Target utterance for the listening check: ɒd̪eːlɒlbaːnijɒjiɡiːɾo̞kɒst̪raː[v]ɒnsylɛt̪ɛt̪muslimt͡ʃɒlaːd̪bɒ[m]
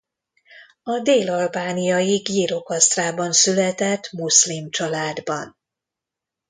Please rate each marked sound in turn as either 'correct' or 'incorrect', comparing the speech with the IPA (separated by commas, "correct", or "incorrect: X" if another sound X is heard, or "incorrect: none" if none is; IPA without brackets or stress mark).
incorrect: b, incorrect: n